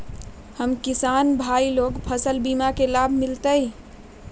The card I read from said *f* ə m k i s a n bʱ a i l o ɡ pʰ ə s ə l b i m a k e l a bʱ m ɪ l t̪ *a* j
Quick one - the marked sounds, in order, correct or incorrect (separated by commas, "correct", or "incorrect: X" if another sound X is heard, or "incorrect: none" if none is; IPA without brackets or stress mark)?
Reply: incorrect: h, incorrect: ə